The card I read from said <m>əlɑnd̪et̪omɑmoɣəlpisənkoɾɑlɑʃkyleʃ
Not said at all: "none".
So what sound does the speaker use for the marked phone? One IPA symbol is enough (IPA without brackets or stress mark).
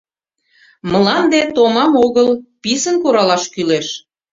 m